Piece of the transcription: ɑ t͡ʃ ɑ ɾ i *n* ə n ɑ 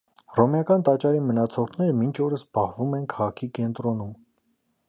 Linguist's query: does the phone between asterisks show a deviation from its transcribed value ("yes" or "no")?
yes